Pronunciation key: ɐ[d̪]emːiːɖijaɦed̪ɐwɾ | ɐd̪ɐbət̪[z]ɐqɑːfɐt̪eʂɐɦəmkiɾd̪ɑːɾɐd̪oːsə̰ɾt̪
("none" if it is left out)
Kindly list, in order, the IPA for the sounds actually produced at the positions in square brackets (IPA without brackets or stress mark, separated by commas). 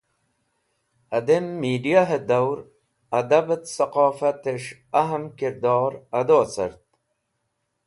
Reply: d̪, s